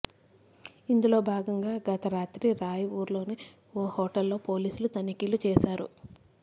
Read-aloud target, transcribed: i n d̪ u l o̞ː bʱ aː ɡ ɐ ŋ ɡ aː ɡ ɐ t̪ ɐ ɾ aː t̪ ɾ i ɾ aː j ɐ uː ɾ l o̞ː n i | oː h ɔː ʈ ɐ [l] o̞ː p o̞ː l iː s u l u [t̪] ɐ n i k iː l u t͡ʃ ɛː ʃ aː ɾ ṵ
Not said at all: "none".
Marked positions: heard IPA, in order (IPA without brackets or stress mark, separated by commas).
lː, t̪